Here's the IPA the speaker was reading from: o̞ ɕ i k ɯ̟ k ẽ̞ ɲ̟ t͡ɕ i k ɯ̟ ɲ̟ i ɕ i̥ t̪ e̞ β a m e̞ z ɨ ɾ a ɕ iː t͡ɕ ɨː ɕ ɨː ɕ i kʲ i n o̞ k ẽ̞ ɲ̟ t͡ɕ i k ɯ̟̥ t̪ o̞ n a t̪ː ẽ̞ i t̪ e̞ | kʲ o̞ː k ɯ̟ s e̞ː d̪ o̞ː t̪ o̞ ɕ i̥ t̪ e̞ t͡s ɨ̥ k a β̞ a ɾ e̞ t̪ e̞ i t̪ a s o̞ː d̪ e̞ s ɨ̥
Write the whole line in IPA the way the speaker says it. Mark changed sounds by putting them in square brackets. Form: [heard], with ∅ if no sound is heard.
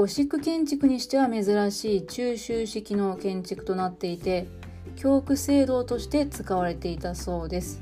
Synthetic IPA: o̞ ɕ i k ɯ̟ k ẽ̞ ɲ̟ t͡ɕ i k ɯ̟ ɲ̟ i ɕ i̥ t̪ e̞ β a m e̞ z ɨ ɾ a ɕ iː t͡ɕ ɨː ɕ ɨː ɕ i kʲ i n o̞ k ẽ̞ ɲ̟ t͡ɕ i k ɯ̟̥ t̪ o̞ n a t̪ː [e̞] i t̪ e̞ | kʲ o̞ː k ɯ̟ s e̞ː d̪ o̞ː t̪ o̞ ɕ i̥ t̪ e̞ t͡s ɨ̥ k a β̞ a ɾ e̞ t̪ e̞ i t̪ a s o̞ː d̪ e̞ s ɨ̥